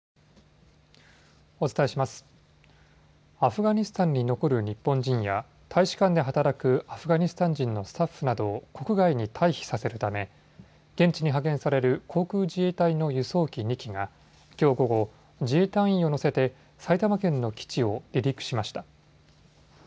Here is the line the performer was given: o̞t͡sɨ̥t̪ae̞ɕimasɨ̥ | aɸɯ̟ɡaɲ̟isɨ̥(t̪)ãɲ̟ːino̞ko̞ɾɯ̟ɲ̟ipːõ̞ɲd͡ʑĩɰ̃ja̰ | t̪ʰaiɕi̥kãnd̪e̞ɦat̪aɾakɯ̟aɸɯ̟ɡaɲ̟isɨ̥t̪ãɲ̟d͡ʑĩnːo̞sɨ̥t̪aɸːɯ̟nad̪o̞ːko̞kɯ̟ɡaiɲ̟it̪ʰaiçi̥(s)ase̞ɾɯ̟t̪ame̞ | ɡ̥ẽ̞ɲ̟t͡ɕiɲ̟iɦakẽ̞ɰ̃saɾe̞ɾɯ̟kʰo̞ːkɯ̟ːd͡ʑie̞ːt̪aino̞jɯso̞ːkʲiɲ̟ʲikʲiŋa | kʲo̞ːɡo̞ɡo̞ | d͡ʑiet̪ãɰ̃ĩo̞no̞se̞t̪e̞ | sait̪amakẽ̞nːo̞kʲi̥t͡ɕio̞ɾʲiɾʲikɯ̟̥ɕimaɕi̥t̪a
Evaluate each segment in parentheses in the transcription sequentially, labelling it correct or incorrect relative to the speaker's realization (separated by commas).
correct, correct